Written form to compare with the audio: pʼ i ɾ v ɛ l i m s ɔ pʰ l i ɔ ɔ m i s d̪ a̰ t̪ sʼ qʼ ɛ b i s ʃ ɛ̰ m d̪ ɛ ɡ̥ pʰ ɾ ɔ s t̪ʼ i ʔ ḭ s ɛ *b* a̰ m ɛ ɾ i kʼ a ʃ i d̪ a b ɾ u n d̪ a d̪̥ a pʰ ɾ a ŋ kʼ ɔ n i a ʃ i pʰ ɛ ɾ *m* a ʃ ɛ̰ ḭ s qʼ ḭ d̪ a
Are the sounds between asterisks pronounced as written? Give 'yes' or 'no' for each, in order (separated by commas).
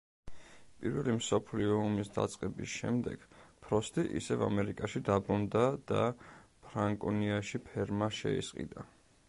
no, yes